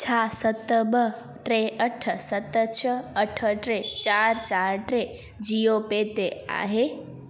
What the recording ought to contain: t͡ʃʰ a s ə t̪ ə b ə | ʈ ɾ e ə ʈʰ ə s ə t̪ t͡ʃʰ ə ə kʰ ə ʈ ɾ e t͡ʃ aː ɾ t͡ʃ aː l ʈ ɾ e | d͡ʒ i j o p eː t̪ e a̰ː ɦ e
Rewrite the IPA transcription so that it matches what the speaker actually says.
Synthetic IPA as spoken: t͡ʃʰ a s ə t̪ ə b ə | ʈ ɾ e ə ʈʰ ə s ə t̪ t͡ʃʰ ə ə ʈʰ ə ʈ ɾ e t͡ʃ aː ɾ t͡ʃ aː ɾ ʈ ɾ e | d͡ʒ i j o p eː t̪ e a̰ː ɦ e